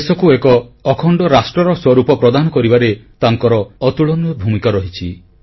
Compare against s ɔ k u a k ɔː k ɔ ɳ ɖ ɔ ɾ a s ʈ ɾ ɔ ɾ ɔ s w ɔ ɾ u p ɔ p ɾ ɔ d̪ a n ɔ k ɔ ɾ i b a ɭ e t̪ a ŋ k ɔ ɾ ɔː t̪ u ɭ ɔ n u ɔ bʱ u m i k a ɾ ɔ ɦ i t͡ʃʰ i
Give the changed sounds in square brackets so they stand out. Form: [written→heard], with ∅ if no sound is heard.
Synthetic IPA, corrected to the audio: s ɔ k u [a→e] k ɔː [k→kʰ] ɔ ɳ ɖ ɔ ɾ a s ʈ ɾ ɔ ɾ ɔ s w ɔ ɾ u p ɔ p ɾ ɔ d̪ a n ɔ k ɔ ɾ i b a [ɭ→ɾ] e t̪ a ŋ k ɔ ɾ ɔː t̪ u ɭ ɔ n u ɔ bʱ u m i k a ɾ ɔ ɦ i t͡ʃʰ i